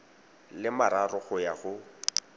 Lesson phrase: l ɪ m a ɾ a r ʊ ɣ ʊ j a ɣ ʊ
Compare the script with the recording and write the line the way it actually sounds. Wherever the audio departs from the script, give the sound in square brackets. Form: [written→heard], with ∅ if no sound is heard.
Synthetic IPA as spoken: l ɪ m a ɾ a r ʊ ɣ ʊ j a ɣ ʊ